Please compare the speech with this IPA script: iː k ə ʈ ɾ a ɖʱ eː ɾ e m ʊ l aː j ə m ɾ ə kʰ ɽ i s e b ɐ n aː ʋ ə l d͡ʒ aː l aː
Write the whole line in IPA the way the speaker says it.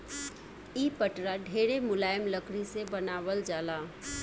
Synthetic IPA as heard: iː p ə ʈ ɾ a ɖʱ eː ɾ e m ʊ l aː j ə m l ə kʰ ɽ i s e b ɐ n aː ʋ ə l d͡ʒ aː l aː